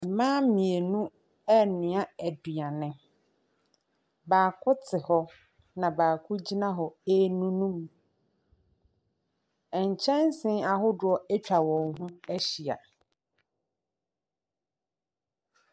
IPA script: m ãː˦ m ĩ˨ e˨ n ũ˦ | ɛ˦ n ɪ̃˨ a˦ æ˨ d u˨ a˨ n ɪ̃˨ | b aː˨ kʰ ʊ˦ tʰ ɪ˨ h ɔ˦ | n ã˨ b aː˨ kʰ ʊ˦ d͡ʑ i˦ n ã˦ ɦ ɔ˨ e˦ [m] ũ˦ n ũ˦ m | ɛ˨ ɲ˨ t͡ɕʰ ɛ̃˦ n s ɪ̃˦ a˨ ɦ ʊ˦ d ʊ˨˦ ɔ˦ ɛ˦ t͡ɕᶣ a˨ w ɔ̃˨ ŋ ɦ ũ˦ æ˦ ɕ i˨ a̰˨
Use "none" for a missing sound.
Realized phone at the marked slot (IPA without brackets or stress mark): n